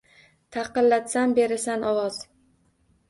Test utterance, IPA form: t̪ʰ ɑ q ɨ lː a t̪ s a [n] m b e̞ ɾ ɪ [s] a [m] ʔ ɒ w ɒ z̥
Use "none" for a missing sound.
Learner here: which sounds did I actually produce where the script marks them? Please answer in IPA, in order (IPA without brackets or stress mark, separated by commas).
none, s, n